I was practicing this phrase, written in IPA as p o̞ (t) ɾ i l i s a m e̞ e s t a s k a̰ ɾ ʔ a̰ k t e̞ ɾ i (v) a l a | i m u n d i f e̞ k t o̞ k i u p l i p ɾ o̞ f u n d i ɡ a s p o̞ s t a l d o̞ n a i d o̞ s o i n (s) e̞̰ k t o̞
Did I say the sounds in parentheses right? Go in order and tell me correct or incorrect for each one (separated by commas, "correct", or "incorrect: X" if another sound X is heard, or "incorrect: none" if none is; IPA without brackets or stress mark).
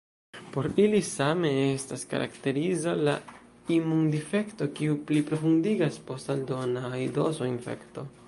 incorrect: none, incorrect: z, incorrect: f